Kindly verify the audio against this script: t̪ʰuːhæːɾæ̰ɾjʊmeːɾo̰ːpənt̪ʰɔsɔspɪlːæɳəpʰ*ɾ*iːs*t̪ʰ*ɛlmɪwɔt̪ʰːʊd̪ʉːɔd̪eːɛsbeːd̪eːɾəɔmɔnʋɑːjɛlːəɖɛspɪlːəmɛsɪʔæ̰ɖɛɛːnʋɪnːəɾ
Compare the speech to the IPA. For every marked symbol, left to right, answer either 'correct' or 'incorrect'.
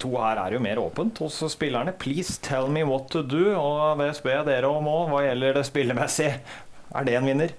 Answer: incorrect: l, correct

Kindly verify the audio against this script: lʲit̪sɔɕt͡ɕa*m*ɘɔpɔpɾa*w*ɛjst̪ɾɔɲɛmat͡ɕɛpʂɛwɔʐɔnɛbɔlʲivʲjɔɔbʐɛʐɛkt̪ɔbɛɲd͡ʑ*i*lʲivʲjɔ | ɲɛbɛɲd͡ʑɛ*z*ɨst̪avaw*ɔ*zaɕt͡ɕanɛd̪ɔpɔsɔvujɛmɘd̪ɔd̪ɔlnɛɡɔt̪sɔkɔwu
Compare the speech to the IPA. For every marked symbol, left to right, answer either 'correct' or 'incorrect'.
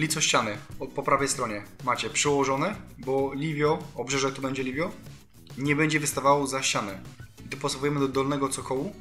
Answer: incorrect: n, incorrect: v, incorrect: ɛ, incorrect: v, correct

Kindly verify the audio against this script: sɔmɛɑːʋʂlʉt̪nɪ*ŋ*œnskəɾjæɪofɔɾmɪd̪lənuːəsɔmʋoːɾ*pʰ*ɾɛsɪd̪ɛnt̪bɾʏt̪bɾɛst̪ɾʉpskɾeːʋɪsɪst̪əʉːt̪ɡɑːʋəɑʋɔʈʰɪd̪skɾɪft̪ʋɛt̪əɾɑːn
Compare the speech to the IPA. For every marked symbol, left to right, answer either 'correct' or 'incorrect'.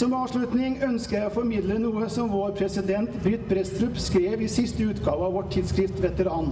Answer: correct, correct

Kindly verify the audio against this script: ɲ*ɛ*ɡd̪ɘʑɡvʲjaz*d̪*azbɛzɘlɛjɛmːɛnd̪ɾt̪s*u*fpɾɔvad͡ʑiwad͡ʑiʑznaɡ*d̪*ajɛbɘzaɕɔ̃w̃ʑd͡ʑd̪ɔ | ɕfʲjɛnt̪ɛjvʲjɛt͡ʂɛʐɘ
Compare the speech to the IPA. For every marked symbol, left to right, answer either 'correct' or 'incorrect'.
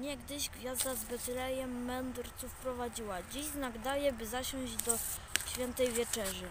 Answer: correct, correct, correct, correct

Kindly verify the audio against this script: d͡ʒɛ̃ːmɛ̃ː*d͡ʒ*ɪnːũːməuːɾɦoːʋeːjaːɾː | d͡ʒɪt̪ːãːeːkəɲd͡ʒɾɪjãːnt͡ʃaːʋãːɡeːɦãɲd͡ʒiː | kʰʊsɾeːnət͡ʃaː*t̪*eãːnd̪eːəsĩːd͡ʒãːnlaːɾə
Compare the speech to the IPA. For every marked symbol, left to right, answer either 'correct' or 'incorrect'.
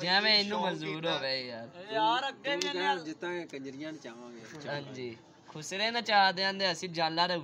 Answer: incorrect: none, incorrect: d̪

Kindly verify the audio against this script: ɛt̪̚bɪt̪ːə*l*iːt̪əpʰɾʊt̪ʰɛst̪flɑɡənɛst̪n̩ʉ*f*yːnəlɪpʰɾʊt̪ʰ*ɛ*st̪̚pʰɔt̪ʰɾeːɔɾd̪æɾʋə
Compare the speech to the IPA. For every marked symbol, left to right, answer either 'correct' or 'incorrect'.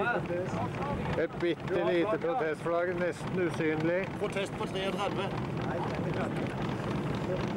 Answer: correct, incorrect: s, correct

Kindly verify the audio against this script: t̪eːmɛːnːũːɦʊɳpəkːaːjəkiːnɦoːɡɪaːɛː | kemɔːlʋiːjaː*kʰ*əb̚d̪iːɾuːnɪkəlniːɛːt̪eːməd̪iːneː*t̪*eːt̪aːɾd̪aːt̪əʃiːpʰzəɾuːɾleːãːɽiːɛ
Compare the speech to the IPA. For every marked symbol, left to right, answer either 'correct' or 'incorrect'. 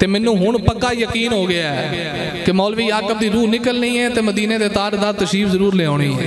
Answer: incorrect: k, incorrect: d̪

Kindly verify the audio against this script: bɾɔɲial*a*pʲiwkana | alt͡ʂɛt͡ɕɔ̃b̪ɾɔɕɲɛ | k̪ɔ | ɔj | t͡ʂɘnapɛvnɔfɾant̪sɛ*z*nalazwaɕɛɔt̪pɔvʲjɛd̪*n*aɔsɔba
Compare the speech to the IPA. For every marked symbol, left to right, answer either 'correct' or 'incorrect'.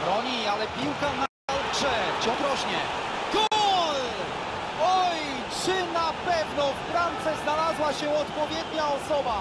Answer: incorrect: ɛ, correct, incorrect: ɲ

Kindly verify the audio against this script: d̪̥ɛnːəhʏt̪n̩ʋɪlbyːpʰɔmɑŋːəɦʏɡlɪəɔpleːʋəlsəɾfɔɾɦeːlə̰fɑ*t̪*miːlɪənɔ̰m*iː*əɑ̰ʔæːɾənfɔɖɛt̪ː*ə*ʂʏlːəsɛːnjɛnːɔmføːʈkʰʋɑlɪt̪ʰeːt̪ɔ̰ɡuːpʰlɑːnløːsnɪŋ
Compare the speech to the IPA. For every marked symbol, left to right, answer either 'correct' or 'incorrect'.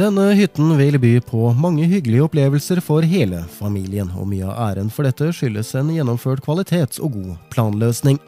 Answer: incorrect: none, incorrect: yː, correct

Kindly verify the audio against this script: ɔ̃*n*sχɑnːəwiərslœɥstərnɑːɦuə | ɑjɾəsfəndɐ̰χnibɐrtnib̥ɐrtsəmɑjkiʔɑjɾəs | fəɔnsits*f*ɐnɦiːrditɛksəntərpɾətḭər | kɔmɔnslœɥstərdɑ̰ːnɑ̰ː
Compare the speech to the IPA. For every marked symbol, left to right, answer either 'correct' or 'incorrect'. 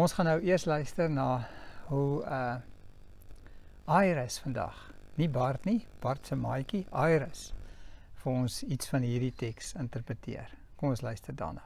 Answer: correct, correct

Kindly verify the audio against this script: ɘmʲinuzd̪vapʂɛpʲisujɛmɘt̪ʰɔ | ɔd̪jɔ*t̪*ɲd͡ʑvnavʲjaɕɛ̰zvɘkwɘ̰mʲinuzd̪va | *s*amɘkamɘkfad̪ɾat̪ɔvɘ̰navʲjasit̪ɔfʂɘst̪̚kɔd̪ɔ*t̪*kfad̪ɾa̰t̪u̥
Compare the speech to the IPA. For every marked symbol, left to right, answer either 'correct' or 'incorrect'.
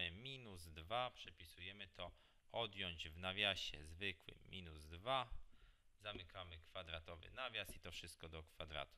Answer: incorrect: none, incorrect: z, incorrect: none

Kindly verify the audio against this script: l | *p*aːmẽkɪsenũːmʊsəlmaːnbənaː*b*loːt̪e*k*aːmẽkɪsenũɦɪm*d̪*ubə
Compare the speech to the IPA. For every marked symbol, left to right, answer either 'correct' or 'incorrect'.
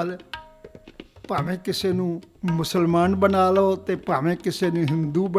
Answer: correct, incorrect: none, incorrect: p, correct

